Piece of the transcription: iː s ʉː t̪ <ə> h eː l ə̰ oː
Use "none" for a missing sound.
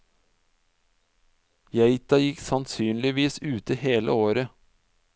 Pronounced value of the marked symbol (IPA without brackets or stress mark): ə